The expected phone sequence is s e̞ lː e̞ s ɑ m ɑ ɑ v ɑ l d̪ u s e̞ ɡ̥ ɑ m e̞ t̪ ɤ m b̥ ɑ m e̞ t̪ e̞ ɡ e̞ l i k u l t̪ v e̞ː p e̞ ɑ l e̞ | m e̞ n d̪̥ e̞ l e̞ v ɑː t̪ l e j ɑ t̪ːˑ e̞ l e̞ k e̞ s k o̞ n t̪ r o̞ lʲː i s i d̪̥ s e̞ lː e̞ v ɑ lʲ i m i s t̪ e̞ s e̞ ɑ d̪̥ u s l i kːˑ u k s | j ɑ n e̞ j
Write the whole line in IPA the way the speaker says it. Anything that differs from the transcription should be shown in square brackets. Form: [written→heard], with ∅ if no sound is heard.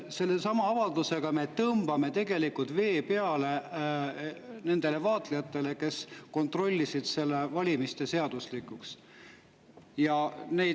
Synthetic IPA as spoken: s e̞ lː e̞ s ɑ m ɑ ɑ v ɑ l d̪ u s e̞ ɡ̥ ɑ m e̞ t̪ ɤ m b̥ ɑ m e̞ t̪ e̞ ɡ e̞ l i k u l t̪ v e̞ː p e̞ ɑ l e̞ | [m→n] e̞ n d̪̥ e̞ l e̞ v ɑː t̪ l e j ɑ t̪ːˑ e̞ l e̞ k e̞ s k o̞ n t̪ r o̞ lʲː i s i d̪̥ s e̞ lː e̞ v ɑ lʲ i m i s t̪ e̞ s e̞ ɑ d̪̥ u s l i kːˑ u k s | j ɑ n e̞ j